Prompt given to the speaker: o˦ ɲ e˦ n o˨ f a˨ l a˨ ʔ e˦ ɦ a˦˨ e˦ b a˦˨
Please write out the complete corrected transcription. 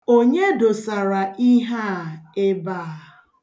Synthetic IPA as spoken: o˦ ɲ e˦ d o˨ s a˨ ɾ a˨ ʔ i˦ ɦ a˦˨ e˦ b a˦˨